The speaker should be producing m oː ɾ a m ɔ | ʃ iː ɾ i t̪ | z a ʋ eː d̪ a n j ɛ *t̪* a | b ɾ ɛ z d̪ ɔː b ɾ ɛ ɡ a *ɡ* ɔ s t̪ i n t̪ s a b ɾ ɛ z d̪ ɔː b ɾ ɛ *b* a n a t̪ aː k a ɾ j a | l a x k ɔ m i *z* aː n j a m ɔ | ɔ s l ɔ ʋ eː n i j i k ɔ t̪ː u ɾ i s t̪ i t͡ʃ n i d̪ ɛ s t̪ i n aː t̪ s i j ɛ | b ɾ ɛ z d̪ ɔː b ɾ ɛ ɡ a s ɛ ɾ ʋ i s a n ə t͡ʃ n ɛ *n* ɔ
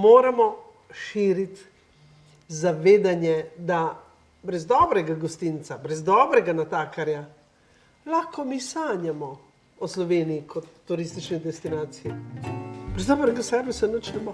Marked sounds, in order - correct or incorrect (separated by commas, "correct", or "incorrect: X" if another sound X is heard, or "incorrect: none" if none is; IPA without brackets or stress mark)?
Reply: incorrect: d̪, correct, incorrect: ɡ, incorrect: s, incorrect: m